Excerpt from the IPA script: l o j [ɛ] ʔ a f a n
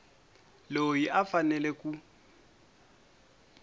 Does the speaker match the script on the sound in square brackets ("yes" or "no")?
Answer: no